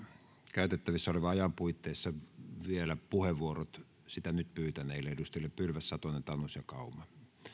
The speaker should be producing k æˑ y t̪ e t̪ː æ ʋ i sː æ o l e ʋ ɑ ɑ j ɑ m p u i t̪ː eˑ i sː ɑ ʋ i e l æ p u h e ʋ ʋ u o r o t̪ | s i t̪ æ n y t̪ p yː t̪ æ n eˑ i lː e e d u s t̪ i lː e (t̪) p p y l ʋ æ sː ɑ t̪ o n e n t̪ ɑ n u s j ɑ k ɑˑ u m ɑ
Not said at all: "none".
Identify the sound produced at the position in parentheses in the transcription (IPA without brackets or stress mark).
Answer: none